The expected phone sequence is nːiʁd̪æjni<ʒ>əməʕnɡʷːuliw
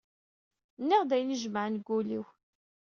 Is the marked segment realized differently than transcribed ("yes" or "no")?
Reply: no